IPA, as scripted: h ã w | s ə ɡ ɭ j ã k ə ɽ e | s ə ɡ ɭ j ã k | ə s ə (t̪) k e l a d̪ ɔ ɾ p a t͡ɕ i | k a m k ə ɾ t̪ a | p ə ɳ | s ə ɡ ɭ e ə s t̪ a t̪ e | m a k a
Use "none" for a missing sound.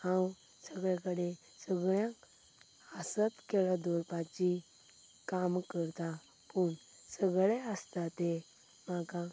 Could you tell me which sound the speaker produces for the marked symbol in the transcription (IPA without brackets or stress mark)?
t̪